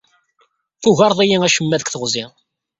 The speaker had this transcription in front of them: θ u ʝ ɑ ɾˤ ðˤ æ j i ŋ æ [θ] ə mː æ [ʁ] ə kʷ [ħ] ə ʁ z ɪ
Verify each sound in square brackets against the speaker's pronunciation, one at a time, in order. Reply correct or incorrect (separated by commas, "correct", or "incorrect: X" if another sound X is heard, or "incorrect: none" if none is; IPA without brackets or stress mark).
incorrect: ʃ, incorrect: ð, incorrect: θ